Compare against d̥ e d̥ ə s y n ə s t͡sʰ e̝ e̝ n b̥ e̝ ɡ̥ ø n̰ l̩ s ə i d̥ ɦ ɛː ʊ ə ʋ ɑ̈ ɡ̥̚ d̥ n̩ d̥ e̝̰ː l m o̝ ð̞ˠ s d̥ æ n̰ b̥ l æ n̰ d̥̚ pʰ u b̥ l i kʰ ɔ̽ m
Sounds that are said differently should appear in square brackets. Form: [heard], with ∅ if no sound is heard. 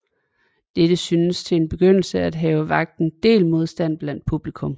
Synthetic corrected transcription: d̥ e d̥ ə s y n ə s t͡sʰ e̝ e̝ n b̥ e̝ ɡ̥ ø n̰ l̩ s ə [æ] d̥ ɦ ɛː ʊ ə ʋ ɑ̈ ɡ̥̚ d̥ n̩ d̥ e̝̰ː l m o̝ ð̞ˠ s d̥ æ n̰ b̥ l æ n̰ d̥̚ pʰ u b̥ l i kʰ ɔ̽ m